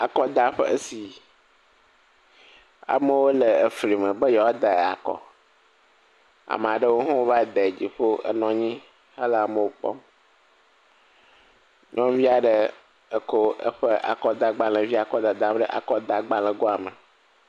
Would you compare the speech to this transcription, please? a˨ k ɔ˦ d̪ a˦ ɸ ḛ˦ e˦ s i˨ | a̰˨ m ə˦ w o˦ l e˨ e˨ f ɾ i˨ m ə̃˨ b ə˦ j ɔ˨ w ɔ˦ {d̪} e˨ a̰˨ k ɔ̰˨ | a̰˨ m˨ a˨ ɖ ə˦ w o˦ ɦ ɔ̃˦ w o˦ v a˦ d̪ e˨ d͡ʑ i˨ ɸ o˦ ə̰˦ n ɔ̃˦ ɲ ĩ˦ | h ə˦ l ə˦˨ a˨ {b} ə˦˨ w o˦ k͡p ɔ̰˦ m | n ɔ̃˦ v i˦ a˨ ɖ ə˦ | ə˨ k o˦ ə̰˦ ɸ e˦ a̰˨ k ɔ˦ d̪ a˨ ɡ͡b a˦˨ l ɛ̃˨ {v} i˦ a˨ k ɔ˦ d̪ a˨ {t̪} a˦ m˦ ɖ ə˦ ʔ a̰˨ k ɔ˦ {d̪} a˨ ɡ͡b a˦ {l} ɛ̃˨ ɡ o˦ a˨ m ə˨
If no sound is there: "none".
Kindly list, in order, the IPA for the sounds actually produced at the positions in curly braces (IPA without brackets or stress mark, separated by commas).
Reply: d̪, m, v, d̪, d̪, l